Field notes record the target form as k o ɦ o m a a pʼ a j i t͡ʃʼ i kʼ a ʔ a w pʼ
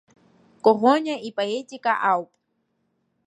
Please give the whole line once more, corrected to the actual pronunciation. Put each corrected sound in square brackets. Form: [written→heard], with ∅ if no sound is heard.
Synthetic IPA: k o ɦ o [m→ɲ] a [a→i] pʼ a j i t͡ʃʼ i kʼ a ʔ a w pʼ